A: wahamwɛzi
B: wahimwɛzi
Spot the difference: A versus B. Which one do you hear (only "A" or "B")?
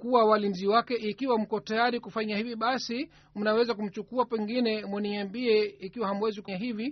A